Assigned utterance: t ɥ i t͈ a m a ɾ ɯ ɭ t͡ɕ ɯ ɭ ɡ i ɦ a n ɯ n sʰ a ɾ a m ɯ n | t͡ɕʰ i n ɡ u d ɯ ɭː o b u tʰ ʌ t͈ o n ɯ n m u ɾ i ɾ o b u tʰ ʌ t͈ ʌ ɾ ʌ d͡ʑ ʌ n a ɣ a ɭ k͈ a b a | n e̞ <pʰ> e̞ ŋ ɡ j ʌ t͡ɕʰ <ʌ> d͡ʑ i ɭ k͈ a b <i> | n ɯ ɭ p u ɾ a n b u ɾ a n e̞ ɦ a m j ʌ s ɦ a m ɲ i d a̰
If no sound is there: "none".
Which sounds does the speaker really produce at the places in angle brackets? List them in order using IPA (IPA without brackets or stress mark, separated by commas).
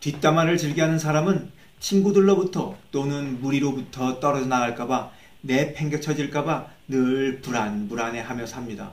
pʰ, ʌ, a